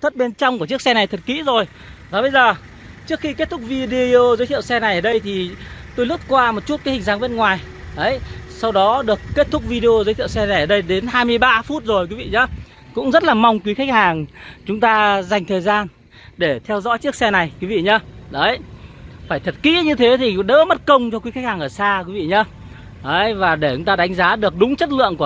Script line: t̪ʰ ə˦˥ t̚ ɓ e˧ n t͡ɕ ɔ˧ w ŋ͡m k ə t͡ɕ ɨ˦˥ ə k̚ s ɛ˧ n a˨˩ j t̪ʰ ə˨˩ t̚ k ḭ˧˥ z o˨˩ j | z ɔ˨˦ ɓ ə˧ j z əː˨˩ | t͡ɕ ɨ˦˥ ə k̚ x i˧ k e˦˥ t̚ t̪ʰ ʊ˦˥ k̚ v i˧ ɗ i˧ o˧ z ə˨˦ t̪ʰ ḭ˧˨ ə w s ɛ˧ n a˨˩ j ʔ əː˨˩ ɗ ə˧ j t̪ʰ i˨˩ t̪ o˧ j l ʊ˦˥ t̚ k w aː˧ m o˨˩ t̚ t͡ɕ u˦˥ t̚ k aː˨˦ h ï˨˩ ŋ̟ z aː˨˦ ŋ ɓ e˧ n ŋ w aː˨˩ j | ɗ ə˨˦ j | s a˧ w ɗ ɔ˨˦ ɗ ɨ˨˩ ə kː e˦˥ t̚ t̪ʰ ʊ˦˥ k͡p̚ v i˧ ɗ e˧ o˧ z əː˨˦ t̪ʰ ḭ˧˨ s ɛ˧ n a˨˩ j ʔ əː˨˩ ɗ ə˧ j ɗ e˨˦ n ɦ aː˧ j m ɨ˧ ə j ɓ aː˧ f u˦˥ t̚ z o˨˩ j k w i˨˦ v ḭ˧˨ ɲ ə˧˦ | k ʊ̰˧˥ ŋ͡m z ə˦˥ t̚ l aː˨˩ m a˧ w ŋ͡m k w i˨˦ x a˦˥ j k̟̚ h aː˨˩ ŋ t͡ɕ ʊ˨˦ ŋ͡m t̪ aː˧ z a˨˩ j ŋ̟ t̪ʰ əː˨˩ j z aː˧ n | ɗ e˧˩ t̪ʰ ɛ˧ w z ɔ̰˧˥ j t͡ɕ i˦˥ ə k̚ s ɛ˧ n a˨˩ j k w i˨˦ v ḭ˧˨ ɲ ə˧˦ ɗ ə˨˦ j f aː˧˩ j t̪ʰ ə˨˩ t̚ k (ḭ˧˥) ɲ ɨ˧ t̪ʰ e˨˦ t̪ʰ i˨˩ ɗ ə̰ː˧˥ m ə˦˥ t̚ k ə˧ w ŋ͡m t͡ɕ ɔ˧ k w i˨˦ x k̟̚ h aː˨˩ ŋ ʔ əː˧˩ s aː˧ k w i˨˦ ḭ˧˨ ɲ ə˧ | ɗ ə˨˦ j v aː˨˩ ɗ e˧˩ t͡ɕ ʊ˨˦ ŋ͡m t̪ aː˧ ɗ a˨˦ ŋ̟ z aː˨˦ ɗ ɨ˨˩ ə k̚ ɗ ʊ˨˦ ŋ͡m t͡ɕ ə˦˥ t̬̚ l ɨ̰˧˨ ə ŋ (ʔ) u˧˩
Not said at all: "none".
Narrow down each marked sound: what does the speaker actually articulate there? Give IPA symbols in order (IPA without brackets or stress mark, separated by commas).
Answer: ḭ˧˥, k